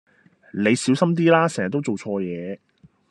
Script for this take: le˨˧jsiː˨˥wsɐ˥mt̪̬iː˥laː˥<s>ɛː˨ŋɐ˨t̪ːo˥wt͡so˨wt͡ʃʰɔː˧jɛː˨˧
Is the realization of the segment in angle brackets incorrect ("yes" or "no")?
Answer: no